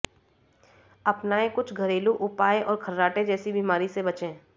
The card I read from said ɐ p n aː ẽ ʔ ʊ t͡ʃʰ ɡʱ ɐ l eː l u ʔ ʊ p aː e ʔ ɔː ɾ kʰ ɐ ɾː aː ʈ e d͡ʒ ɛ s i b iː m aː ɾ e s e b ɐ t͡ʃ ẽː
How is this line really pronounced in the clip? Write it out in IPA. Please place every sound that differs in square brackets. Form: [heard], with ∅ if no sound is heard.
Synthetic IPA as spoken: ɐ p n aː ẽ [k] ʊ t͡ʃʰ ɡʱ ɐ [ɾ] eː l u ʔ ʊ p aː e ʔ ɔː ɾ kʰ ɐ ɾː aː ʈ e d͡ʒ [ɛː] s i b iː m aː ɾ [i] s e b ɐ t͡ʃ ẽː